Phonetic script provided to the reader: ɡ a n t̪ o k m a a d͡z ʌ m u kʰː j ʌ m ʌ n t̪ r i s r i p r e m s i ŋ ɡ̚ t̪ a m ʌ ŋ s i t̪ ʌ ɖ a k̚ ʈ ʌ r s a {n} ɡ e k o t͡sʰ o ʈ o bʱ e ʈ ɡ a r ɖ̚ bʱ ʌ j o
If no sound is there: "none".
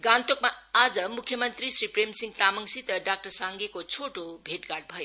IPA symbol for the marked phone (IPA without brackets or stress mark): ŋ